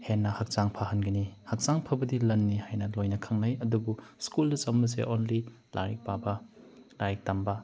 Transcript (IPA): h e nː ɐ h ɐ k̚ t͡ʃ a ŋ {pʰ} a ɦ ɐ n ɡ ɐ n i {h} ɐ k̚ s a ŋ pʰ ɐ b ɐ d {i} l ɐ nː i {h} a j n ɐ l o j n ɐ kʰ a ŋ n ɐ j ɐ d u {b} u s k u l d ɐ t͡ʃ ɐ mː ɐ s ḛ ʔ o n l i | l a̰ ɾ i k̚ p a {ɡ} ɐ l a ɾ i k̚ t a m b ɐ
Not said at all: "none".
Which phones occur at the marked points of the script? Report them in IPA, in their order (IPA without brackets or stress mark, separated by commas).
pʰ, h, i, h, b, b